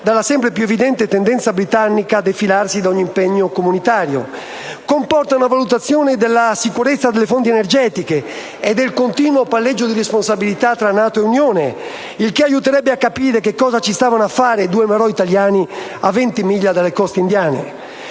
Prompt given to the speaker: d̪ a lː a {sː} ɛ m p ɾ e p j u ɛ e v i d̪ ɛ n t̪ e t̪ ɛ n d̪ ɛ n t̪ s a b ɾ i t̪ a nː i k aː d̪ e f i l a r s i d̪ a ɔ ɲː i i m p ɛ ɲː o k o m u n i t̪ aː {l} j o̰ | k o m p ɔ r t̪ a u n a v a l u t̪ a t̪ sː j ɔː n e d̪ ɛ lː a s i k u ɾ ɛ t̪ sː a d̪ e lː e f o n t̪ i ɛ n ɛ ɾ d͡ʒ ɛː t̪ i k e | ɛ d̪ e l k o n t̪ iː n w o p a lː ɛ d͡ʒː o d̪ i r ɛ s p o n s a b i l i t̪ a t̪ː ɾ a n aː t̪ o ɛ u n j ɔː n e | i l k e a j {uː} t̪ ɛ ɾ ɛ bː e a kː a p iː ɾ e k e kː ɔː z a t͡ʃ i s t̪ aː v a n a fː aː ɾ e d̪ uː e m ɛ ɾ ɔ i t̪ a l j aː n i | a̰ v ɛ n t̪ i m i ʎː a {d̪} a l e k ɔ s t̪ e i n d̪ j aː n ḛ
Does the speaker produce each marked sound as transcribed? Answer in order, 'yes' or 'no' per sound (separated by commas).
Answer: no, no, no, yes